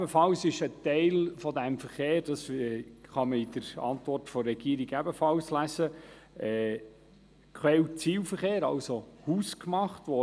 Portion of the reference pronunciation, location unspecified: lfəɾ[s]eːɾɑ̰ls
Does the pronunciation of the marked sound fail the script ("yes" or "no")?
yes